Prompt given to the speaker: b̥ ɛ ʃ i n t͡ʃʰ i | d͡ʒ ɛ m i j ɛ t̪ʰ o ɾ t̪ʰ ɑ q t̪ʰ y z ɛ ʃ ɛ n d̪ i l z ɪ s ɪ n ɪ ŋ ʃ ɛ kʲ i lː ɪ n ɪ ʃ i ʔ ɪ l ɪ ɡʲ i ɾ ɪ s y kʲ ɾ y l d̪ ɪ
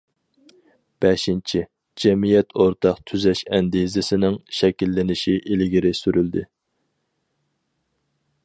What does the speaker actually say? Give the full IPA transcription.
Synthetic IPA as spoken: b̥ ɛ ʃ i n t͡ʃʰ i | d͡ʒ ɛ m i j ɛ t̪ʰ o ɾ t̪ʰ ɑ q t̪ʰ y z ɛ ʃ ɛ n d̪ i z ɪ s ɪ n ɪ ŋ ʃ ɛ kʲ i lː ɪ n ɪ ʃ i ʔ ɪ l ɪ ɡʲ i ɾ ɪ s y ɾ y l d̪ ɪ